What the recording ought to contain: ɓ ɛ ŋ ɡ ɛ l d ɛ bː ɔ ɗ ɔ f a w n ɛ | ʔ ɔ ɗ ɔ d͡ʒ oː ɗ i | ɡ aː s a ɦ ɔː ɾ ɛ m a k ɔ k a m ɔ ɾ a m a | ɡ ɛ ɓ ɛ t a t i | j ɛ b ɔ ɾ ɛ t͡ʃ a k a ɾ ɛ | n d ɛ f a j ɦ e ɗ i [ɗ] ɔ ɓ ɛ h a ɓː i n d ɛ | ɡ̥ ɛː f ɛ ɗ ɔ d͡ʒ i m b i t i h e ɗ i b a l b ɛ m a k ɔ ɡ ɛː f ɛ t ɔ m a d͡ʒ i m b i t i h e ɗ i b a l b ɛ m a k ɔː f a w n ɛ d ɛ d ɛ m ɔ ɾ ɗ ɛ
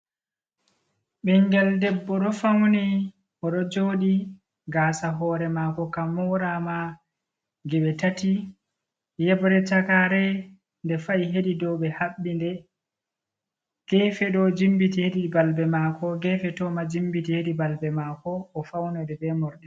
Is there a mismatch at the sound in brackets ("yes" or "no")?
yes